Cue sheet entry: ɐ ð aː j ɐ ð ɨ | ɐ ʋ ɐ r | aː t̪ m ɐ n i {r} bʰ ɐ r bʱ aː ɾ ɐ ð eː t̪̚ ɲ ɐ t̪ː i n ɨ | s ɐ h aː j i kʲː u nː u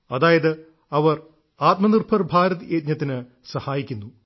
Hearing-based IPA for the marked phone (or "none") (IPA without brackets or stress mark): r